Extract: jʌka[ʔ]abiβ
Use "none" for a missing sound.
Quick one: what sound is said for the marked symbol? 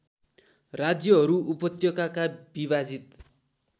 k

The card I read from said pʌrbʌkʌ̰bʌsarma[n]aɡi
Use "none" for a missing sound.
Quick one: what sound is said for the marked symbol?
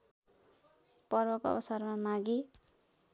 m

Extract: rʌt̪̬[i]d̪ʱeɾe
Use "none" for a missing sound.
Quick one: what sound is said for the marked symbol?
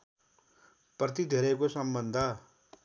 i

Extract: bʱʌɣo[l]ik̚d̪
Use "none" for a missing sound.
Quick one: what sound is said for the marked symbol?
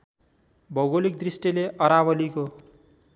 l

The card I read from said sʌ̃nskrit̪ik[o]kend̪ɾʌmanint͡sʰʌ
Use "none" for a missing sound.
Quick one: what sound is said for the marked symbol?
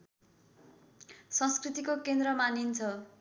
o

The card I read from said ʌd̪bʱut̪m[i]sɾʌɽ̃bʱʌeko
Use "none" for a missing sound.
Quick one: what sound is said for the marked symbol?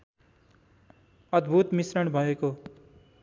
i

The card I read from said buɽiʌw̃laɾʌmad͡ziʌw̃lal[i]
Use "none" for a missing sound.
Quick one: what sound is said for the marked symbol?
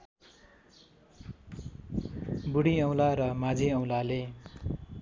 e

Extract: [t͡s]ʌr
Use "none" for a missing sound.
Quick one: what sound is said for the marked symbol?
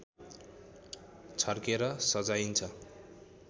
t͡sʰ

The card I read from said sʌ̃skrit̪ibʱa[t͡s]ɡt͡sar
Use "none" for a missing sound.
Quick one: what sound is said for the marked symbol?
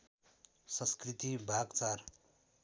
none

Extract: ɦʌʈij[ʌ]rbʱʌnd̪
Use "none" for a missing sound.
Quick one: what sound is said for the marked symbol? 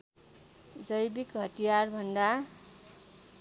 a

